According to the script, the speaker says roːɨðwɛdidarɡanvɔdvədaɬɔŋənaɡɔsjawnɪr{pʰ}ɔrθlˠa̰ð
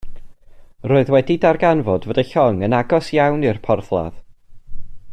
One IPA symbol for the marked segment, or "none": pʰ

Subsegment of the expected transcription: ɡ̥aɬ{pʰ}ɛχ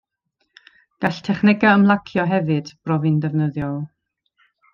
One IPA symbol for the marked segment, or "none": tʰ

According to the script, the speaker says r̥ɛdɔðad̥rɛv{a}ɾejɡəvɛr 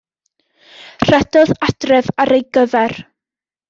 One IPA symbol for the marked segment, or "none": a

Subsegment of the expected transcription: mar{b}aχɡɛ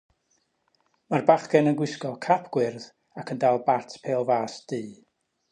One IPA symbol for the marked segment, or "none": b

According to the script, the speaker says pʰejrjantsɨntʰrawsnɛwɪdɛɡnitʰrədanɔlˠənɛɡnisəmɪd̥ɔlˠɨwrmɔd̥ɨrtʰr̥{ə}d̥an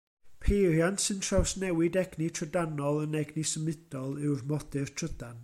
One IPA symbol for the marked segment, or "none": ə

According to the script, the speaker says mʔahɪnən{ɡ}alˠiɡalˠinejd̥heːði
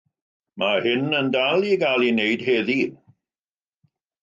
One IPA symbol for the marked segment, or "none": d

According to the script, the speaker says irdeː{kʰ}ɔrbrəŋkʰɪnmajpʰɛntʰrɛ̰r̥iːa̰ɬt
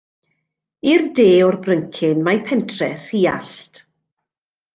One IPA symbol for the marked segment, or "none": none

